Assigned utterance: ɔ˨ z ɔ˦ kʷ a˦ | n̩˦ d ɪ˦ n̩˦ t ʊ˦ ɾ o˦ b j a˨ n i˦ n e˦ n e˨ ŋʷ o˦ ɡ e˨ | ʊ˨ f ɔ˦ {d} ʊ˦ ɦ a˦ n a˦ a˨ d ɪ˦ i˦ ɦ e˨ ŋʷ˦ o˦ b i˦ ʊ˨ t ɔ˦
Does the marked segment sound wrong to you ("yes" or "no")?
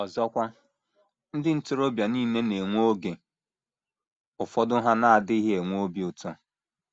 no